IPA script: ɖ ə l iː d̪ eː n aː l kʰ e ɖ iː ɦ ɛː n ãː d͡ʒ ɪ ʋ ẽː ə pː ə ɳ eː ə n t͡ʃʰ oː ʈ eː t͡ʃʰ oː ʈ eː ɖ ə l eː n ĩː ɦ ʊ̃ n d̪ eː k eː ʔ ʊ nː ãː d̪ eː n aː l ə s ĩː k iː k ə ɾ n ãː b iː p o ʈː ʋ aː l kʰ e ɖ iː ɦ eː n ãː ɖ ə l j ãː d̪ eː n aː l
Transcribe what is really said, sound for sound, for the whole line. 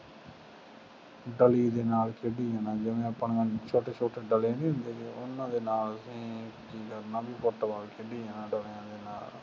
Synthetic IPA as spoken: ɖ ə l iː d̪ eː n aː l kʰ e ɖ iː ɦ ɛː n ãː d͡ʒ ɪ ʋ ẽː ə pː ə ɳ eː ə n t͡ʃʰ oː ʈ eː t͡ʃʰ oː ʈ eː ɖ ə l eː n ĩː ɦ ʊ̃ n d̪ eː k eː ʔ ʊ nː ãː d̪ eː n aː l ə s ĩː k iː k ə ɾ n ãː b iː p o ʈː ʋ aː l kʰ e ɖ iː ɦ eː n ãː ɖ ə l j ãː d̪ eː n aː l

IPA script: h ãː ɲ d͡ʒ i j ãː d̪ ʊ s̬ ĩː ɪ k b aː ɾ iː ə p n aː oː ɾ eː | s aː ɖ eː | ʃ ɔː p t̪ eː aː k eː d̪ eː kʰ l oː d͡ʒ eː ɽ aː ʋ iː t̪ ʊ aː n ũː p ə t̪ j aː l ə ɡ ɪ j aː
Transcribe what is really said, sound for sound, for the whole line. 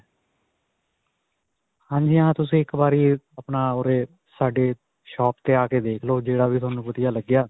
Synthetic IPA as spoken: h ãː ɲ d͡ʒ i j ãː t̪ ʊ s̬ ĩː ɪ k b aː ɾ iː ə p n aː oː ɾ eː | s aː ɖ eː | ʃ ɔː p t̪ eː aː k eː d̪ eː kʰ l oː d͡ʒ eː ɽ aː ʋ iː t̪ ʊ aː n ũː p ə t̪ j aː l ə ɡ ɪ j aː

